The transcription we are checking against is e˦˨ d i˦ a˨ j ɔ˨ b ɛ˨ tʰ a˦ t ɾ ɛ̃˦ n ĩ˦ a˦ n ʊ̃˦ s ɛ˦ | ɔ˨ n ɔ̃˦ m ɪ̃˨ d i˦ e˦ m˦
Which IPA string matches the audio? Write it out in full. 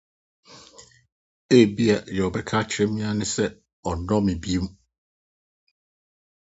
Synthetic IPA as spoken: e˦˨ b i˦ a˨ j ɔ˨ b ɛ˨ kʰ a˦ t͡ɕʰ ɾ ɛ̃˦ m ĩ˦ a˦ n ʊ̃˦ s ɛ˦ | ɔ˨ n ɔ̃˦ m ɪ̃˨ b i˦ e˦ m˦